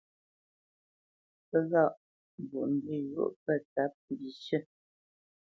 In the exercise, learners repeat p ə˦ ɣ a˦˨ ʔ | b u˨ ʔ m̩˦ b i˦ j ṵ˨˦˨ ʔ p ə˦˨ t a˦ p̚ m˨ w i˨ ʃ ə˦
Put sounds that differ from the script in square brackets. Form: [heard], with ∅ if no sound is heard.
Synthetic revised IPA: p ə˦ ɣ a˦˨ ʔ | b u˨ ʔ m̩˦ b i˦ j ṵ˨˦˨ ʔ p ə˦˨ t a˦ p̚ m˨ [b] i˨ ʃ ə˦